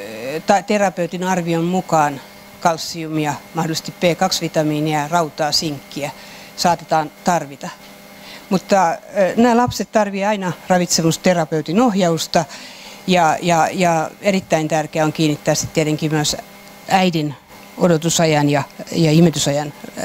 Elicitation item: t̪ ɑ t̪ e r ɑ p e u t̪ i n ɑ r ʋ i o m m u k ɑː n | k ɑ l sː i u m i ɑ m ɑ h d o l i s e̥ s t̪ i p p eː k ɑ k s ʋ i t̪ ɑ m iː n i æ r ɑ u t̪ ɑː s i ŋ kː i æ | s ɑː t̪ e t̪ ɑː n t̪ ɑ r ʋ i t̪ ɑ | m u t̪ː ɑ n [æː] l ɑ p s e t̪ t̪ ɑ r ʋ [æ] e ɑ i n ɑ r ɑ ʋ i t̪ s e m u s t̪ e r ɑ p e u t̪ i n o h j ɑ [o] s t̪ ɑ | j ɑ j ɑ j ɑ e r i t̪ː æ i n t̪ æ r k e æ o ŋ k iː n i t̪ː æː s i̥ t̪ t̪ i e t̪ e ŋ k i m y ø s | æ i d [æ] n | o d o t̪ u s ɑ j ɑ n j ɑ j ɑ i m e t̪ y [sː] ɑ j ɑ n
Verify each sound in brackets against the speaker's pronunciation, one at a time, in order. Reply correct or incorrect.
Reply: correct, incorrect: i, incorrect: u, incorrect: i, incorrect: s

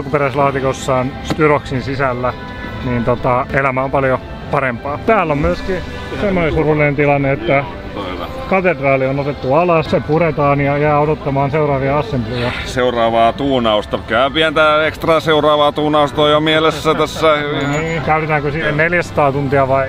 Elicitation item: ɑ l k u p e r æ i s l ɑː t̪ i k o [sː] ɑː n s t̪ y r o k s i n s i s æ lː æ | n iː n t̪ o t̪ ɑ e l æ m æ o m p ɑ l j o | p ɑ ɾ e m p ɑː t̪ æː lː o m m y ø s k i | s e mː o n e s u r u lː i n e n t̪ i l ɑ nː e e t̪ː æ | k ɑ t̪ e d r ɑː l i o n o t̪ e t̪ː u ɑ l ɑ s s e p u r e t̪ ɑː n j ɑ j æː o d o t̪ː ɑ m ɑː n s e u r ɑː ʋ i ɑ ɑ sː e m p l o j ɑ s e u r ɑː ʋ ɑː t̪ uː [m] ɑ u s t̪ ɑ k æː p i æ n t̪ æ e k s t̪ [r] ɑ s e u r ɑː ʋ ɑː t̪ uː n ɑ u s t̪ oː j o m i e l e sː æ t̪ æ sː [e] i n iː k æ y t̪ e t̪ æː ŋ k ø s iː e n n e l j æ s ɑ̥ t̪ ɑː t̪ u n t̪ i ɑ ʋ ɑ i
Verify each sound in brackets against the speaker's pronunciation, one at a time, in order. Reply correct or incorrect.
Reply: correct, incorrect: n, correct, incorrect: æ

